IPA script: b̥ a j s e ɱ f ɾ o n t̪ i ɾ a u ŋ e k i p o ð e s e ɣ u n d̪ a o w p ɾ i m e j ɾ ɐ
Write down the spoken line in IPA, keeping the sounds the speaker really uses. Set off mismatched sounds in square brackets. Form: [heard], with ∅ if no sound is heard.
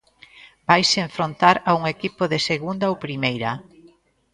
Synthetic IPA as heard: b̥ a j s e ɱ f ɾ o n t̪ [a] ɾ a u ŋ e k i p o ð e s e ɣ u n d̪ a o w p ɾ i m e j ɾ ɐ